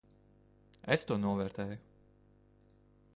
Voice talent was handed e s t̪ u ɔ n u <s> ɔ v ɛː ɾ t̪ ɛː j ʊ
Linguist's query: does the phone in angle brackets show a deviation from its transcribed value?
yes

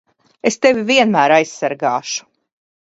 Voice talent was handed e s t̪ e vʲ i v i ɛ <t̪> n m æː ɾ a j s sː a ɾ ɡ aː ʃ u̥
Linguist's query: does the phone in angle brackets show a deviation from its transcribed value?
yes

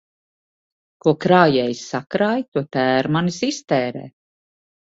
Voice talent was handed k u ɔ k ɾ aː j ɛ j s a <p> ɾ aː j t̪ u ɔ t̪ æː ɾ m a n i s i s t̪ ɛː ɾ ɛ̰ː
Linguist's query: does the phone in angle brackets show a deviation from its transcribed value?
yes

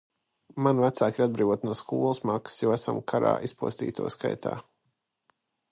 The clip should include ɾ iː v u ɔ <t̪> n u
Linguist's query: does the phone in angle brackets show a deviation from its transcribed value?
no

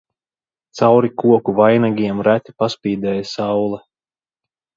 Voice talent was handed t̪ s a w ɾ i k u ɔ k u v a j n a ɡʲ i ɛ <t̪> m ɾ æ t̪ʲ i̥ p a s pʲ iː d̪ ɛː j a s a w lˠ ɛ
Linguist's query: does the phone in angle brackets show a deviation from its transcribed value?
yes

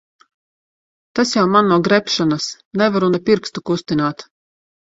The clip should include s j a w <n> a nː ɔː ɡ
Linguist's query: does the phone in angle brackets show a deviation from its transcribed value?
yes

